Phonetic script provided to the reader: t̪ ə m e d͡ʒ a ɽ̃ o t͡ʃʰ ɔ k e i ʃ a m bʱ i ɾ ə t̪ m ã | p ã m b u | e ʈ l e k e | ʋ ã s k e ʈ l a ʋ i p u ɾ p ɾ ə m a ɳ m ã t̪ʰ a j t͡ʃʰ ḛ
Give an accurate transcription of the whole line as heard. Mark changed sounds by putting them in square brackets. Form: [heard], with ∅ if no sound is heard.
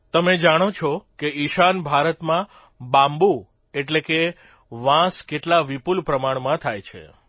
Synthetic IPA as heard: t̪ ə m e d͡ʒ a ɽ̃ o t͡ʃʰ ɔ k e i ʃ a [n] bʱ [a] ɾ ə t̪ m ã | [b] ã m b u | e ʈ l e k e | ʋ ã s k e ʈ l a ʋ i p u [l] p ɾ ə m a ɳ m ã t̪ʰ a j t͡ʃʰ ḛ